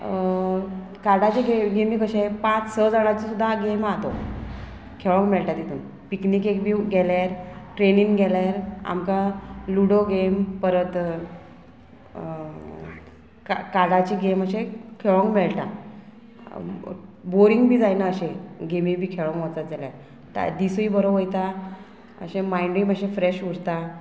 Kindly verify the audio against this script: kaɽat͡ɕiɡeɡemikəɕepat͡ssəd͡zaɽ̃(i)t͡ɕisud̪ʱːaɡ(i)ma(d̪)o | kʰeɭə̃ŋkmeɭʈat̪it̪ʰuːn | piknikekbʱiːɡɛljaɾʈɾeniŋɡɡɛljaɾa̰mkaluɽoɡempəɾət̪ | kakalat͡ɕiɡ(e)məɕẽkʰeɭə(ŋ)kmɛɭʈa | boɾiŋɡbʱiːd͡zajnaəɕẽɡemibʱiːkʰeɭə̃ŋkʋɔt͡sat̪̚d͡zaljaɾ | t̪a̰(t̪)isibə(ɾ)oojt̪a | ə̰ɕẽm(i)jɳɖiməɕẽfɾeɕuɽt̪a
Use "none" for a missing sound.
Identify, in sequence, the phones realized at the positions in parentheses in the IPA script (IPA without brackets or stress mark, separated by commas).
a, e, t̪, e, ŋ, d̪, ɾ, a